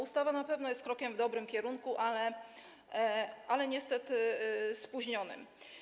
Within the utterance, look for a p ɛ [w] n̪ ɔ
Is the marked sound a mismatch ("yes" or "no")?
yes